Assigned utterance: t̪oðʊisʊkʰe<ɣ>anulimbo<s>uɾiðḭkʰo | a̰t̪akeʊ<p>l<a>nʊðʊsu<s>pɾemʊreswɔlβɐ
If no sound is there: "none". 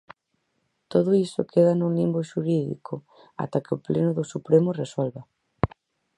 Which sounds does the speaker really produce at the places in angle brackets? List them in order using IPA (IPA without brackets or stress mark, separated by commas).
ð, ʃ, p, e, none